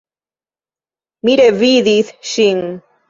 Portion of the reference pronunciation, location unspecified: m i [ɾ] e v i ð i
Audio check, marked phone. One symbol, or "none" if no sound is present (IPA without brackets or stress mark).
ɾ